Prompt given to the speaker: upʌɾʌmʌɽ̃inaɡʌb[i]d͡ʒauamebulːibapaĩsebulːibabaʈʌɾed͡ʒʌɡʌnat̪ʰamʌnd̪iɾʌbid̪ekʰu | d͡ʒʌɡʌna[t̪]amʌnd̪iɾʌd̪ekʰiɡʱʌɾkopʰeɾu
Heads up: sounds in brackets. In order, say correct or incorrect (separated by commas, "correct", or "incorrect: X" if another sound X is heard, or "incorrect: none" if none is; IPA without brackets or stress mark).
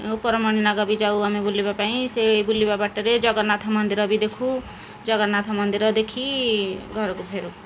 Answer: correct, incorrect: t̪ʰ